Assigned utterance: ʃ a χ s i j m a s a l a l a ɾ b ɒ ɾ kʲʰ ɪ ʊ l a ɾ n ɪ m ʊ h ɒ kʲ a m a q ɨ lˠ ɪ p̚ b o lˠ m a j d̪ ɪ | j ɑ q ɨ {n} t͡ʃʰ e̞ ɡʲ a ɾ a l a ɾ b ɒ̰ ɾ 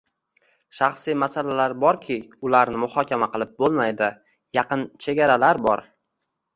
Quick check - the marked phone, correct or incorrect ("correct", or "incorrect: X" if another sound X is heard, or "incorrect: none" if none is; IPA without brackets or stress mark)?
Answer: correct